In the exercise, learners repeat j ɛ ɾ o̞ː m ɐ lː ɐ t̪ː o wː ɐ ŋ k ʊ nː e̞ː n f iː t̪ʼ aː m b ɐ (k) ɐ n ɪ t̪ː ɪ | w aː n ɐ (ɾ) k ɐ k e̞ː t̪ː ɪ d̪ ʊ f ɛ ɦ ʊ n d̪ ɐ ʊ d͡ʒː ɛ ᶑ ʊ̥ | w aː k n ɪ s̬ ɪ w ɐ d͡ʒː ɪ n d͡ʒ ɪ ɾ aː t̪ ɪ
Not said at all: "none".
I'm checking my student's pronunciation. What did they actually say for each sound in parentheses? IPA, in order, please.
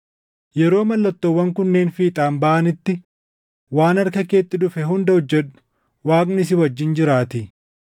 ʔ, ɾ

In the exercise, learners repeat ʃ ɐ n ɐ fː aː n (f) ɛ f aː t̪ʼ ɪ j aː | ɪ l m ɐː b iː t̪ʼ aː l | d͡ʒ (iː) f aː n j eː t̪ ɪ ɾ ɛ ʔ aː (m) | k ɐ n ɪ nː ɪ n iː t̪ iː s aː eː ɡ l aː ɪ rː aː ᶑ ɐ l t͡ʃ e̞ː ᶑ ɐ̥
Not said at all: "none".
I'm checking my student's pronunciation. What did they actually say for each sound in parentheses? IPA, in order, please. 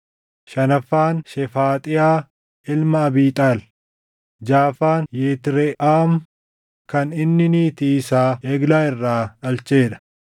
ʃ, aː, m

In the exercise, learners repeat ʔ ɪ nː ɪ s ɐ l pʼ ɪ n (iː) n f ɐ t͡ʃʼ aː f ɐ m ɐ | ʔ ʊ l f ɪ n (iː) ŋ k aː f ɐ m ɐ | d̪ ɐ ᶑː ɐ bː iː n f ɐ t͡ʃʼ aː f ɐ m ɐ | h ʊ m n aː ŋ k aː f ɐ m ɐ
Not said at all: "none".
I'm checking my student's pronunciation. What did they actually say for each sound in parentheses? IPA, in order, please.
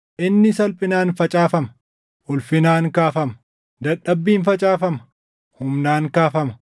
aː, aː

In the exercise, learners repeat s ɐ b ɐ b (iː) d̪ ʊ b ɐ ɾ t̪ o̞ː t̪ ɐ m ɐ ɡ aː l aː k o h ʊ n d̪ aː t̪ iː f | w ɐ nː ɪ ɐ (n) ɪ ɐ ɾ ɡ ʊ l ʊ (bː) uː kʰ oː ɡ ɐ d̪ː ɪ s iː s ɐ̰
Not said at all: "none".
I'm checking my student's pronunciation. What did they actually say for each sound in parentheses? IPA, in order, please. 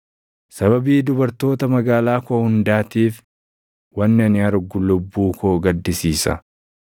iː, n, bː

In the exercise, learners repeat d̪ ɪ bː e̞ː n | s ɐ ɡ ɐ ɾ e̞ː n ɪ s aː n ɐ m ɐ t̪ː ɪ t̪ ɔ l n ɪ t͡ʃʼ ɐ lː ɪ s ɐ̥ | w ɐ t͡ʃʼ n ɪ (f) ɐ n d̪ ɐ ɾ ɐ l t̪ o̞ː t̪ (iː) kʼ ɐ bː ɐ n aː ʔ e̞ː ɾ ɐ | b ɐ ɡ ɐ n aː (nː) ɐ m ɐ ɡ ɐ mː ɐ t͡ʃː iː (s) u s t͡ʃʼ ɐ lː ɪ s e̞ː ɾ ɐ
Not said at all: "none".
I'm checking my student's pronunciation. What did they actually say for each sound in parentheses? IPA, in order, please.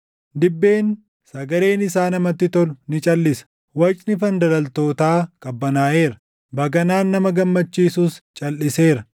f, aː, nː, s

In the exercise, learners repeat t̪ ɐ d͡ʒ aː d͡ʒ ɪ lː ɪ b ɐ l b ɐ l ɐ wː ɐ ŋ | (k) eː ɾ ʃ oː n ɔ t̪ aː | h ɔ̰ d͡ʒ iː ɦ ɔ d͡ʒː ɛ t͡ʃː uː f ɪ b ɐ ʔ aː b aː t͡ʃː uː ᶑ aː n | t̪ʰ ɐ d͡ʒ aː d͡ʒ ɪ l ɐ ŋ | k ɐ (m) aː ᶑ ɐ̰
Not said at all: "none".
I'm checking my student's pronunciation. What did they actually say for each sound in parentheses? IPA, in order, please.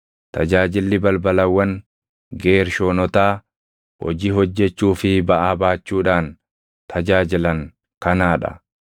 ɡ, n

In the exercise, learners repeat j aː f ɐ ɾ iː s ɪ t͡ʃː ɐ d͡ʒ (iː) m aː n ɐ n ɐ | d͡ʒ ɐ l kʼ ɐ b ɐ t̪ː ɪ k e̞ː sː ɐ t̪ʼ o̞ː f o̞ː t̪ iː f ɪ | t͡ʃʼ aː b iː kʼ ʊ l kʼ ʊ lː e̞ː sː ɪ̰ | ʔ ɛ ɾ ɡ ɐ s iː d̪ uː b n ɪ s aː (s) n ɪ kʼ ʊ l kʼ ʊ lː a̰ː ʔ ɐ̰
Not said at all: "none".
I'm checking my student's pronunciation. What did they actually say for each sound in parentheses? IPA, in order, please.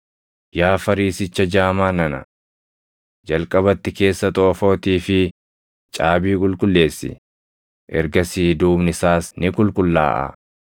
aː, s

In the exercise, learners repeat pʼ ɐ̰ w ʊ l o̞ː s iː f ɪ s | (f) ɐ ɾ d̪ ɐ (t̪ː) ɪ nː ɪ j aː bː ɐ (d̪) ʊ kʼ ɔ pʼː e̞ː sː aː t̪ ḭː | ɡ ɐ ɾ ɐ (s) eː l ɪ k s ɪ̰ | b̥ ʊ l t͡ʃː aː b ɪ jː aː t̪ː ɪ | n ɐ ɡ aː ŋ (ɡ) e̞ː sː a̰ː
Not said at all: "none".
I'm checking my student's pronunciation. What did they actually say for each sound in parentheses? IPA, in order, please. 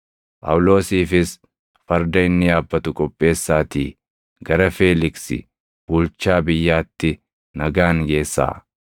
f, none, t̪, f, ɡ

